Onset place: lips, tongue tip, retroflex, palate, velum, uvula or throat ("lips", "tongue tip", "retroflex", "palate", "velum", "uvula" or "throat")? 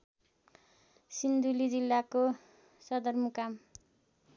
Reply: tongue tip